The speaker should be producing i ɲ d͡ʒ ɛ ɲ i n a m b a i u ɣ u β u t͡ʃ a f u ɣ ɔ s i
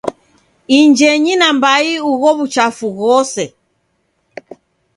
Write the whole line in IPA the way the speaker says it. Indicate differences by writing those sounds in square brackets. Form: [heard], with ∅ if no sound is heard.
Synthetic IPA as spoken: i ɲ d͡ʒ ɛ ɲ i n a m b a i u ɣ [ɔ] β u t͡ʃ a f u ɣ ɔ s [ɛ]